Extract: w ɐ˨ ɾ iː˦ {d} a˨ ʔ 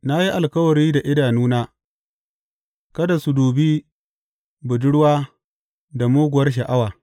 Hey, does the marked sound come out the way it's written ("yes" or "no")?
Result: yes